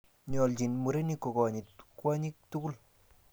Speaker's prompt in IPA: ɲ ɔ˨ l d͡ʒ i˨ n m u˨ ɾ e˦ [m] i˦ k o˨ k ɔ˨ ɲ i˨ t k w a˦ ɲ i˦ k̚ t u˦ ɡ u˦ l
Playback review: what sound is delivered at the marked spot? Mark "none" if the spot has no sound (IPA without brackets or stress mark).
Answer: n